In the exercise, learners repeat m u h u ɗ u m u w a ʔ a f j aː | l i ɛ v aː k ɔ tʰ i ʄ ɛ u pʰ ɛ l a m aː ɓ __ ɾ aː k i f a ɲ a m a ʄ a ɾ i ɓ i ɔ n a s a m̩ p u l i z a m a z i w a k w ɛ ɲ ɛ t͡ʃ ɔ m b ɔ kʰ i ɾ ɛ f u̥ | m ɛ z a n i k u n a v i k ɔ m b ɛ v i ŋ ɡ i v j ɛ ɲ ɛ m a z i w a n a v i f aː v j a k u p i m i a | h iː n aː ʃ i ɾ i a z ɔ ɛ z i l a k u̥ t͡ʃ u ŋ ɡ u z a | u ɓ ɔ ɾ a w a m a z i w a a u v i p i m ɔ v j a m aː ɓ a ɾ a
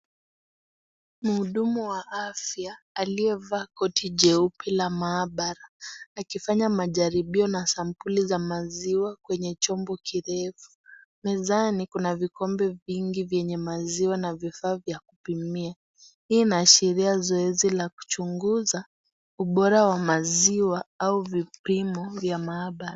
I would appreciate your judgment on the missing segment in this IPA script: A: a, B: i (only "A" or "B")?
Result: A